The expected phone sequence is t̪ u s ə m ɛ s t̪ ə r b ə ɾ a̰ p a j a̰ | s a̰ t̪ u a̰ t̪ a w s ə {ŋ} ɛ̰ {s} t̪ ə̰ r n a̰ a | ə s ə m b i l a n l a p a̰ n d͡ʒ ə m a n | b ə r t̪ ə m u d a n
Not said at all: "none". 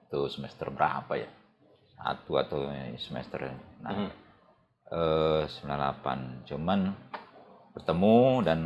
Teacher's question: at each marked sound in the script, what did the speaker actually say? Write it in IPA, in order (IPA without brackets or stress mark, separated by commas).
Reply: m, s